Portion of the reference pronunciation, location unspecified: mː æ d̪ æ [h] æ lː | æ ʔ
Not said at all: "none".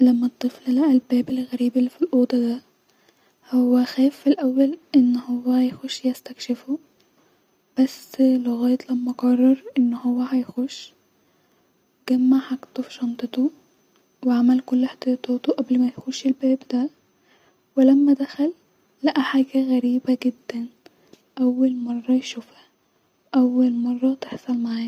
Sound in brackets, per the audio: x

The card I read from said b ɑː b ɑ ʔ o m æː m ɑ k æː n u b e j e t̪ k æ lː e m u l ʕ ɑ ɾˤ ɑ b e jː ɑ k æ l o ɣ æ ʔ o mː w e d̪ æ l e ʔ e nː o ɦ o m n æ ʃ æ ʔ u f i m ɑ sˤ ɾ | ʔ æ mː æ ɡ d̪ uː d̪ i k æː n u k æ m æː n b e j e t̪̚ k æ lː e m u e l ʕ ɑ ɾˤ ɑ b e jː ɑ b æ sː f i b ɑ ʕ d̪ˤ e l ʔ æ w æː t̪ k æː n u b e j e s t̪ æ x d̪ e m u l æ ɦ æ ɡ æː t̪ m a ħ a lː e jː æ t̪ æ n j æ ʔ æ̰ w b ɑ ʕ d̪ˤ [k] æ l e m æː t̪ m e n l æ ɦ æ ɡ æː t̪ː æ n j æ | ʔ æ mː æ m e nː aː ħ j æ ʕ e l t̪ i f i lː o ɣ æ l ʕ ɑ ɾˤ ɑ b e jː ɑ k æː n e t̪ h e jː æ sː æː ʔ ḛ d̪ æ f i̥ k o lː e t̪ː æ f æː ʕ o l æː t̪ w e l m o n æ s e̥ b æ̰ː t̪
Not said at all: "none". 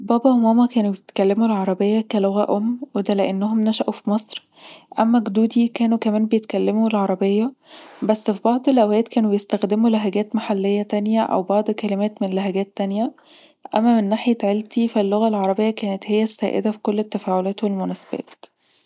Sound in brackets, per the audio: k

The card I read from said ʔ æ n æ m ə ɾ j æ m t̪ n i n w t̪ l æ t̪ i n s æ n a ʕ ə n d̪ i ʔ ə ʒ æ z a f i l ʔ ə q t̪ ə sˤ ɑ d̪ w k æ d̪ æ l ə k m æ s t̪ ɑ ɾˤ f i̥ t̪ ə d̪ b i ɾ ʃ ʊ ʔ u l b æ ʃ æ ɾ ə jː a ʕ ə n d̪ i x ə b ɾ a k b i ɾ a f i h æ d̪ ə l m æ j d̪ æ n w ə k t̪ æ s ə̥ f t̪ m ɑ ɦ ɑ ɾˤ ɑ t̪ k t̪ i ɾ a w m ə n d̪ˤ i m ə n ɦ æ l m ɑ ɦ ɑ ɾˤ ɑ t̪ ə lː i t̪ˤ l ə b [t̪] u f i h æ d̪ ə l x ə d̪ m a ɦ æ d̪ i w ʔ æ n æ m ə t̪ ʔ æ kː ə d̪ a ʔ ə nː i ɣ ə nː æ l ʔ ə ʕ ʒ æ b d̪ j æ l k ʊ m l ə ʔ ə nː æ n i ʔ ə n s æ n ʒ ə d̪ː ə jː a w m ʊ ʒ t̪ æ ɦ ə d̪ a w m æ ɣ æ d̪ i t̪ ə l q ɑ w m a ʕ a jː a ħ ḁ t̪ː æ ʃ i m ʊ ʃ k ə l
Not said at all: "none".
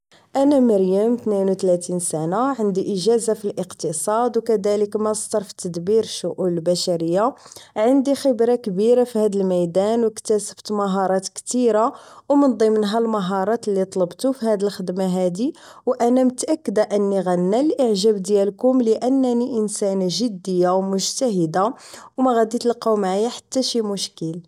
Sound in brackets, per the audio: t̪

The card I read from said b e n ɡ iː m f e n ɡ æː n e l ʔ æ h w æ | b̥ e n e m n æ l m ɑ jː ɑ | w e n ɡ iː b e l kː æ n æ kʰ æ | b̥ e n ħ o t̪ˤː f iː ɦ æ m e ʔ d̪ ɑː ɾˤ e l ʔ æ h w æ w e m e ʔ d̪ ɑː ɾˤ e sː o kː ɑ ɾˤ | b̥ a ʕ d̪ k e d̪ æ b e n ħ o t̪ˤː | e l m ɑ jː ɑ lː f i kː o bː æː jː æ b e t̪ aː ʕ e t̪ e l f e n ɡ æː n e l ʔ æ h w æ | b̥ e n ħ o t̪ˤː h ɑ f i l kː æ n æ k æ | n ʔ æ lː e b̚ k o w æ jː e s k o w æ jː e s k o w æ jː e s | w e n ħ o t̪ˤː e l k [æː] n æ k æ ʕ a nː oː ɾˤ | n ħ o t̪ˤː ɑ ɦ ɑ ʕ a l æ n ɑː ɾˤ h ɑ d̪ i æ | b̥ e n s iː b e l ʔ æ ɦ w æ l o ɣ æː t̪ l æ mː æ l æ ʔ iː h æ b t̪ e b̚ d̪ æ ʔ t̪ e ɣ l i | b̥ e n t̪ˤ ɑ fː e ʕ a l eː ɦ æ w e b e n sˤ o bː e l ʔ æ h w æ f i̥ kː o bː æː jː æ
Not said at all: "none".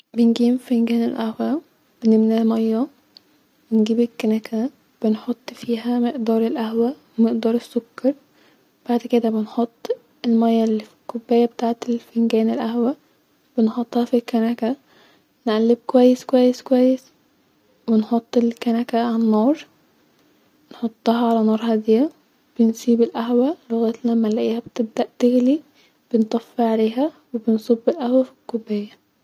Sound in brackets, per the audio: æ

